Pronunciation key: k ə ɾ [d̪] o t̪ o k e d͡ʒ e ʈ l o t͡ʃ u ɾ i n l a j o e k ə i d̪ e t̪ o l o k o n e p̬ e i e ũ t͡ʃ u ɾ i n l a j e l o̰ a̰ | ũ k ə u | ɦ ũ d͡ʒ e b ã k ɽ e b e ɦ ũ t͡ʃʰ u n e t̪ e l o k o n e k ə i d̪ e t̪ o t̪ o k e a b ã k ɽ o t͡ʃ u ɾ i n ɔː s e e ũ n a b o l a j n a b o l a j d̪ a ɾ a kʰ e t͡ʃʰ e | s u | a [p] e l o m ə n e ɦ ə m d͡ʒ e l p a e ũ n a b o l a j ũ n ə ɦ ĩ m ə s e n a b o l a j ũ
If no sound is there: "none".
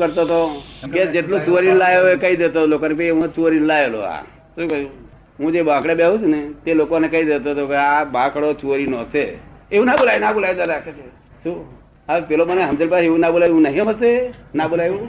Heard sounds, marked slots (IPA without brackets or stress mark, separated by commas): t̪, p